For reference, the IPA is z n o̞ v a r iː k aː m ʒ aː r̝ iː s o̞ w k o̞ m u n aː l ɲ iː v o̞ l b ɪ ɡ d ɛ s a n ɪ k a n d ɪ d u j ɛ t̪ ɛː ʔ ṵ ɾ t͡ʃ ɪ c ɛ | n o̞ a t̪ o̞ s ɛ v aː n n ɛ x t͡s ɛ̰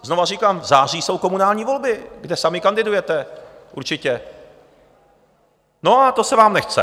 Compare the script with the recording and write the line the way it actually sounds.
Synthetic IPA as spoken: z n o̞ v a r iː k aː m z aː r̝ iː s o̞ w k o̞ m u n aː l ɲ iː v o̞ l b ɪ ɡ d ɛ s a m ɪ k a n d ɪ d u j ɛ t̪ ɛ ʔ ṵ ɾ t͡ʃ ɪ c ɛ | n o̞ a t̪ o̞ s ɛ v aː m n ɛ x t͡s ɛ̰